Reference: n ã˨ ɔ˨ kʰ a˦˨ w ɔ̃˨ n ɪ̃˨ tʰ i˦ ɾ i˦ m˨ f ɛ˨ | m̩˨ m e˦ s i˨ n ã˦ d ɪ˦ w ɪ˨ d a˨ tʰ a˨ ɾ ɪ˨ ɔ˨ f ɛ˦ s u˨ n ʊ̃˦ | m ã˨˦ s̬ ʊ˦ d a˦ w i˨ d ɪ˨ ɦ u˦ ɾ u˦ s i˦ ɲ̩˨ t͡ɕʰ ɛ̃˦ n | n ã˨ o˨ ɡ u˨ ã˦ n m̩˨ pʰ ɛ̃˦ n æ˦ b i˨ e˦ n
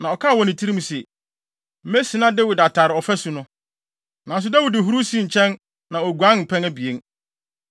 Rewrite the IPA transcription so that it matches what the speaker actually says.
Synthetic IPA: n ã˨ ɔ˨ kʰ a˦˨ w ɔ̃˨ n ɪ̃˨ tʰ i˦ ɾ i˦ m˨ s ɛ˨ | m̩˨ m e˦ s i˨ n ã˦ d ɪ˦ w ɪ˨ d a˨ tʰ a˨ ɾ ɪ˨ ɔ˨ f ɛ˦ s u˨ n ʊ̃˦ | n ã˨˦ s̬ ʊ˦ d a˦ w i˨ d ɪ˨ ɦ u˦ ɾ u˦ s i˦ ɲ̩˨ t͡ɕʰ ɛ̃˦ n | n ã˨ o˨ ɡ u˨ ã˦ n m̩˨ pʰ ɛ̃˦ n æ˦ b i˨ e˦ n